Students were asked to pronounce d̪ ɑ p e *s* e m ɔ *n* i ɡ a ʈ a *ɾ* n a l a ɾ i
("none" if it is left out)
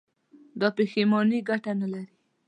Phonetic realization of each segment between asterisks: x, n, none

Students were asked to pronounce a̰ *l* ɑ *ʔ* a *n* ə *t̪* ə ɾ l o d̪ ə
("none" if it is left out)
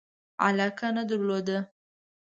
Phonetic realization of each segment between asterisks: l, k, n, d̪

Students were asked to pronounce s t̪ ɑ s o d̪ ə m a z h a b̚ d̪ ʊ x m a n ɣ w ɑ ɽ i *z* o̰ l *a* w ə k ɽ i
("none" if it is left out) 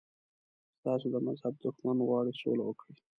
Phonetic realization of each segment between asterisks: s, a

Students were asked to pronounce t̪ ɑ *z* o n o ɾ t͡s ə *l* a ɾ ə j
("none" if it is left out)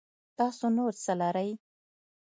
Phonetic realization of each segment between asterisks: s, l

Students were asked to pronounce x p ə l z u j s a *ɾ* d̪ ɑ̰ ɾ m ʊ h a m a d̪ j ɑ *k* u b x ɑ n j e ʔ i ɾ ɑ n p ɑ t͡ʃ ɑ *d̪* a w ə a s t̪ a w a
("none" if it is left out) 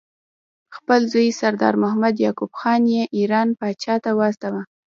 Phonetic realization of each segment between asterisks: ɾ, k, t̪

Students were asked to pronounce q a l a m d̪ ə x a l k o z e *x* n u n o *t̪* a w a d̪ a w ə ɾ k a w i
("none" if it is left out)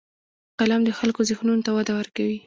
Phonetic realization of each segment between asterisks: x, t̪

